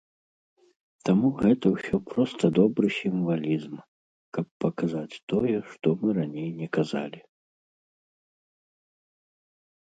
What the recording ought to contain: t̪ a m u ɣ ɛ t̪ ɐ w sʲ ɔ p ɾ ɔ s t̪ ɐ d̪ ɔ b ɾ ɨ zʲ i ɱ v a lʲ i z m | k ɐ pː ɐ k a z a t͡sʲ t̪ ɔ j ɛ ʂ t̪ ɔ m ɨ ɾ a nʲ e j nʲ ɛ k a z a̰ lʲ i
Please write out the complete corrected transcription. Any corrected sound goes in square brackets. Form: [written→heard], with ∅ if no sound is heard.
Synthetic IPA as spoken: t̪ a m u ɣ ɛ t̪ ɐ w sʲ ɔ p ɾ ɔ s t̪ ɐ d̪ ɔ b ɾ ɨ [zʲ→sʲ] i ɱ v a lʲ i z m | k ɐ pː ɐ k a z a t͡sʲ t̪ ɔ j ɛ ʂ t̪ ɔ m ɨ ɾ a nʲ e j nʲ ɛ k a z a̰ lʲ i